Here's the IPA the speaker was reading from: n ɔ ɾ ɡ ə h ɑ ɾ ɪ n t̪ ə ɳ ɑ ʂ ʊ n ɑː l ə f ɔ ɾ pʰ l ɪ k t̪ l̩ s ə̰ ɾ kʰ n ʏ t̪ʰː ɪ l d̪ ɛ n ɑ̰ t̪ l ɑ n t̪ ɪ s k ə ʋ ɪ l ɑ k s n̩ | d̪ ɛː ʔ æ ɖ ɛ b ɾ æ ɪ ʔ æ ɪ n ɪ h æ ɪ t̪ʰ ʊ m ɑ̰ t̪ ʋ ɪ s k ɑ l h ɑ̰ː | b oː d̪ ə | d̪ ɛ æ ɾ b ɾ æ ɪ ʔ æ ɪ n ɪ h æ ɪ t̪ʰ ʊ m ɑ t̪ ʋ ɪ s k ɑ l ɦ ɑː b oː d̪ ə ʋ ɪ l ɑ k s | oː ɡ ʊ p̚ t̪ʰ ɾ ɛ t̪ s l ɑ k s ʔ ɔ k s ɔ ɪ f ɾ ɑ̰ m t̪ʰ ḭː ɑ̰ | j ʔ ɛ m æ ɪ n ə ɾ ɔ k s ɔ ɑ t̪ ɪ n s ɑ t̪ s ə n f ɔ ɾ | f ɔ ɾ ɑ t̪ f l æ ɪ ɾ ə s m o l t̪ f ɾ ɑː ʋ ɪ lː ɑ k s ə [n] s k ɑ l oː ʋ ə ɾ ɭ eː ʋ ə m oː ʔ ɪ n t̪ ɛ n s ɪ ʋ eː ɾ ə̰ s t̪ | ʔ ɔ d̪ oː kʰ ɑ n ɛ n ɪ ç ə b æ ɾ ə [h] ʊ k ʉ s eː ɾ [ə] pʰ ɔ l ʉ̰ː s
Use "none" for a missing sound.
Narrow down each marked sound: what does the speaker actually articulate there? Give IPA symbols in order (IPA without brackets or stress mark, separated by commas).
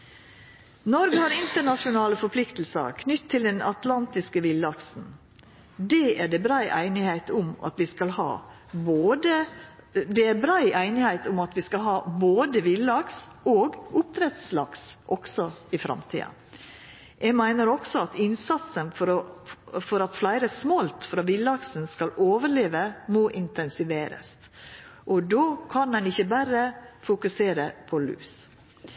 n, f, ə